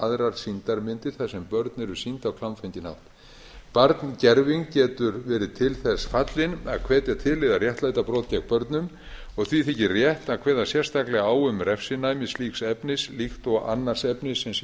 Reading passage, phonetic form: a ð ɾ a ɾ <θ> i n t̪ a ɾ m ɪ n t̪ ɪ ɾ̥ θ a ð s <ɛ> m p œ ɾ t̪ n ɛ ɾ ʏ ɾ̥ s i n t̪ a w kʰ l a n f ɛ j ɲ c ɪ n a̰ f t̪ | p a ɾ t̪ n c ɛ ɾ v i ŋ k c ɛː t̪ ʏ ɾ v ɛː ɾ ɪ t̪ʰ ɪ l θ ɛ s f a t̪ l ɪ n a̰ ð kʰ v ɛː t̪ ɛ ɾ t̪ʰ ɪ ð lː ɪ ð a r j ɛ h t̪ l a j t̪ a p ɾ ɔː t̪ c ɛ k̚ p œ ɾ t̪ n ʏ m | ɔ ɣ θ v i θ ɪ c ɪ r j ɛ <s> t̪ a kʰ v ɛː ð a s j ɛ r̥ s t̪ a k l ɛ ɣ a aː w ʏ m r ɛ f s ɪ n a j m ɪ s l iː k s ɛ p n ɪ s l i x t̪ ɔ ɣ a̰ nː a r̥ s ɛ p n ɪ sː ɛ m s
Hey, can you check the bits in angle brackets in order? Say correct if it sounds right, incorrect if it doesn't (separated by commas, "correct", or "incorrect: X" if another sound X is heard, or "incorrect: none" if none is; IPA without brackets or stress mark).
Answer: incorrect: s, correct, incorrect: h